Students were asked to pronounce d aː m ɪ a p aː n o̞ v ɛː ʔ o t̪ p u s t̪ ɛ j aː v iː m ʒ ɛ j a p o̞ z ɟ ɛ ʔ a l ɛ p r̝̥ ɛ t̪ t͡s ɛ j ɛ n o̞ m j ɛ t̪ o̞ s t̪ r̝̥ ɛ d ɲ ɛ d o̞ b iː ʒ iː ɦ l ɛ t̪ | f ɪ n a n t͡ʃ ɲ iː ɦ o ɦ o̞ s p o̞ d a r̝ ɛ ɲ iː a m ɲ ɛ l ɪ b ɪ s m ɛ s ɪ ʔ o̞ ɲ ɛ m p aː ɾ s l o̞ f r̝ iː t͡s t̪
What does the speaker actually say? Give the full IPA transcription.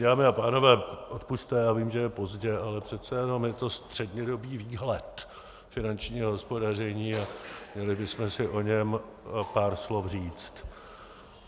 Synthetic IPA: d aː m ɪ a p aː n o̞ v ɛː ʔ o t̪ p u s t̪ ɛ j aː v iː m ʒ ɛ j ɛ p o̞ z ɟ ɛ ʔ a l ɛ p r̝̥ ɛ t̪ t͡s ɛ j ɛ n o̞ m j ɛ t̪ o̞ s t̪ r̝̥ ɛ d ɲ ɛ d o̞ b iː v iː ɦ l ɛ t̪ | f ɪ n a n t͡ʃ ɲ iː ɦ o ɦ o̞ s p o̞ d a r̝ ɛ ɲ iː a m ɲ ɛ l ɪ b ɪ s m ɛ s ɪ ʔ o̞ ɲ ɛ m p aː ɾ s l o̞ f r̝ iː t͡s t̪